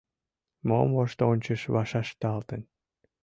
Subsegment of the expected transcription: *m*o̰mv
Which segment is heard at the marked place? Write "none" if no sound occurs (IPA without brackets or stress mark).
m